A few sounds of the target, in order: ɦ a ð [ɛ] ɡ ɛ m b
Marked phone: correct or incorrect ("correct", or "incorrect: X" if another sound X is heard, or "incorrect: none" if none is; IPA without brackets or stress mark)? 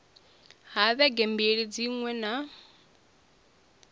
correct